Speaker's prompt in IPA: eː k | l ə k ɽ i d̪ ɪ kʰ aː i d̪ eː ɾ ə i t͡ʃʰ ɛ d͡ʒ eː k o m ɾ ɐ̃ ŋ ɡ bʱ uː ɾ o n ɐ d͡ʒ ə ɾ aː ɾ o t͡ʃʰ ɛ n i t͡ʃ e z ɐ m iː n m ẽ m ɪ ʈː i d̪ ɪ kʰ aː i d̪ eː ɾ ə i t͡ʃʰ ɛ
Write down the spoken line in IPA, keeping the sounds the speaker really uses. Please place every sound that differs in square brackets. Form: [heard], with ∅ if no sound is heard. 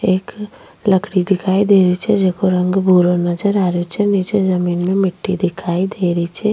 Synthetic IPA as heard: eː k | l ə k ɽ i d̪ ɪ kʰ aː i d̪ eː ɾ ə i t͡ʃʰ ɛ d͡ʒ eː k o [∅] ɾ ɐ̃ ŋ ɡ bʱ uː ɾ o n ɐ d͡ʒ ə ɾ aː ɾ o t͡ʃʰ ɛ n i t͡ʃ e z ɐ m iː n m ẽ m ɪ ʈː i d̪ ɪ kʰ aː i d̪ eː ɾ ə i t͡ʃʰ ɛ

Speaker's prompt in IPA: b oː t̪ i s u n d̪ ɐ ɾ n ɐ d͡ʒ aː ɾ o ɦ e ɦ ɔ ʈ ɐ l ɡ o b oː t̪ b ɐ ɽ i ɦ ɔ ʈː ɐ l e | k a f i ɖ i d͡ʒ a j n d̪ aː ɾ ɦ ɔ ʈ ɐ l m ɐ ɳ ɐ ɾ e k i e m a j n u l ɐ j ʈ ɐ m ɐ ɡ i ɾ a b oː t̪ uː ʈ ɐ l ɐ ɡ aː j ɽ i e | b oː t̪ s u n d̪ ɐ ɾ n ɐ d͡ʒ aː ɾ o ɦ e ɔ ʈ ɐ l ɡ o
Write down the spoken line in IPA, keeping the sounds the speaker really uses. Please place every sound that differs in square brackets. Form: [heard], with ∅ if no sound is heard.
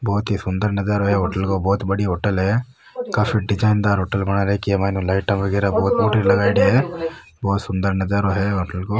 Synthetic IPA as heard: b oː t̪ i s u n d̪ ɐ ɾ n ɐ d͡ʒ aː ɾ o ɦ e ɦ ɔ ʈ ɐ l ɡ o b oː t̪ b ɐ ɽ i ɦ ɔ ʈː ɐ l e | k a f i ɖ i d͡ʒ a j n d̪ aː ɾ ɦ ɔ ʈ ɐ l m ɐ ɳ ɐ ɾ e k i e m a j n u l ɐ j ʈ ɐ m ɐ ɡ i ɾ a b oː t̪ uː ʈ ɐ l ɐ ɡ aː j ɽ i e | b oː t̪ s u n d̪ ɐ ɾ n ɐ d͡ʒ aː ɾ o ɦ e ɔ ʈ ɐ l ɡ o

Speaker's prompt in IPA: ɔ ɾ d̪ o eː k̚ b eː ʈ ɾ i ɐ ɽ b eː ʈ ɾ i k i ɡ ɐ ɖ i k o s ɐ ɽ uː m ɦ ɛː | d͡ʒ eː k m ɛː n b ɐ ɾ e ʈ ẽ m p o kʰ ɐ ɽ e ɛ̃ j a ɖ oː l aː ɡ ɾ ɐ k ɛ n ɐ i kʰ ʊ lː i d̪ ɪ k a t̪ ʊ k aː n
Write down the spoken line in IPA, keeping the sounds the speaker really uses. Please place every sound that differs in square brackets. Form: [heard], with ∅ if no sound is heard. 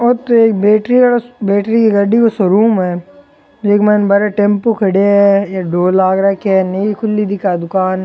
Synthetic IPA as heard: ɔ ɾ [t̪] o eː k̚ b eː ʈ ɾ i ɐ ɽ b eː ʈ ɾ i k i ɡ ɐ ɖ i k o s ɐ [ɾ] uː m ɦ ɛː | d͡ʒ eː k m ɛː n b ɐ ɾ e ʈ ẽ m p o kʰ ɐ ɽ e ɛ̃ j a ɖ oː l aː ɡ ɾ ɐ k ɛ n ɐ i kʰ ʊ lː i d̪ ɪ k a [d̪] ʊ k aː n

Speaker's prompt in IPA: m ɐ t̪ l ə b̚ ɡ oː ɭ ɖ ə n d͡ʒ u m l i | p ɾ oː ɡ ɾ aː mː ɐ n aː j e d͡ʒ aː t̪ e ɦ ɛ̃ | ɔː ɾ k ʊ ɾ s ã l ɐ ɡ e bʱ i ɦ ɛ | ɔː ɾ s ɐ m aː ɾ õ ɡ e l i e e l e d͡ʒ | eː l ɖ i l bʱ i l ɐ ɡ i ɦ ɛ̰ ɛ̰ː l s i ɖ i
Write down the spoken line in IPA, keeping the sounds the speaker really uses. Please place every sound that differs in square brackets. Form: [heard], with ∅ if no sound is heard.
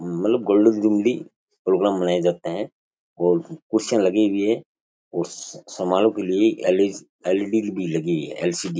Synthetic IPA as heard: m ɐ t̪ l ə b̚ ɡ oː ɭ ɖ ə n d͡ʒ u m l i | p ɾ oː ɡ ɾ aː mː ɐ n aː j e d͡ʒ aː t̪ e ɦ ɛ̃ | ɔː ɾ k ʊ ɾ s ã l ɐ ɡ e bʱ i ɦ ɛ | ɔː ɾ s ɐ m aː [l] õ [k] e l i e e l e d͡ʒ | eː l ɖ i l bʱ i l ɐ ɡ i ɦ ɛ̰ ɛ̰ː l s i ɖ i

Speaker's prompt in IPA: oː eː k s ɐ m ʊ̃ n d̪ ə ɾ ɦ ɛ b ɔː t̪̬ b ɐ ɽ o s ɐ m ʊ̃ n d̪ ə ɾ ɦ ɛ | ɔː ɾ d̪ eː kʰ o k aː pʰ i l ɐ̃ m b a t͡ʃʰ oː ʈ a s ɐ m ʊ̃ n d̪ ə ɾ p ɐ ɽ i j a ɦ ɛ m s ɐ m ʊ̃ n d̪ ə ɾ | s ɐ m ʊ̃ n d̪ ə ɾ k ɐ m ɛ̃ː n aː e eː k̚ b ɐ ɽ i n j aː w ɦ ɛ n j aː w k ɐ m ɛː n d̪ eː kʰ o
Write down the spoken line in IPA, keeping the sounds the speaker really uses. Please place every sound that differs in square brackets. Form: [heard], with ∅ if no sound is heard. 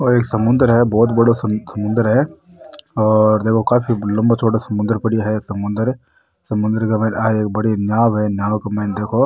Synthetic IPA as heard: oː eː k s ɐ m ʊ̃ n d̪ ə ɾ ɦ ɛ b ɔː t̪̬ b ɐ ɽ o s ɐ m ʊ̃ n d̪ ə ɾ ɦ ɛ | ɔː ɾ d̪ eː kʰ o k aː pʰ i l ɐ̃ m b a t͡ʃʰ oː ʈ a s ɐ m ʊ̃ n d̪ ə ɾ p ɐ ɽ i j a ɦ ɛ [∅] s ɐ m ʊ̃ n d̪ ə ɾ | s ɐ m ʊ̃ n d̪ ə ɾ k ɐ m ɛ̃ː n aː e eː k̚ b ɐ ɽ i n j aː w ɦ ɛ n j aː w k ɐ m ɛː n d̪ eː kʰ o

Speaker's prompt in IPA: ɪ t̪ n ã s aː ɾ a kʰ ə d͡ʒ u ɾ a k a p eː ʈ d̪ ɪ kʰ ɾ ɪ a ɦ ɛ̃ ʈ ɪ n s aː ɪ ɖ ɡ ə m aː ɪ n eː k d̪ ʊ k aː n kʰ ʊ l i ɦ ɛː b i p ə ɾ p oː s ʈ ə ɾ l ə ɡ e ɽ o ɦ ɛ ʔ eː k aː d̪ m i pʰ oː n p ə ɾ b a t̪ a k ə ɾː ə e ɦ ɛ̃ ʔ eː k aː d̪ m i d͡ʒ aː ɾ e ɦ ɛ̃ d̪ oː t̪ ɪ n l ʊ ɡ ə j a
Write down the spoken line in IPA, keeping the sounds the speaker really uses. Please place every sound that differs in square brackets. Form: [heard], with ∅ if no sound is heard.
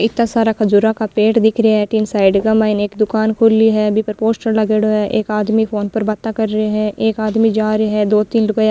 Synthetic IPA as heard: ɪ t̪ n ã s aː ɾ a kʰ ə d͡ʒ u ɾ a k a p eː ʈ d̪ ɪ kʰ ɾ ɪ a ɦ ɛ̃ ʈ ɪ n s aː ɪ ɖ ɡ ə m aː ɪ n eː k d̪ ʊ k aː n kʰ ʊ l i ɦ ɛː b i p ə ɾ p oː s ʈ ə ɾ l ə ɡ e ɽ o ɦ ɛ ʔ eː k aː d̪ m i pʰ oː n p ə ɾ b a t̪ a k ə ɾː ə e ɦ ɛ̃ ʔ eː k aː d̪ m i d͡ʒ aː ɾ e ɦ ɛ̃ d̪ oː t̪ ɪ n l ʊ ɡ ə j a

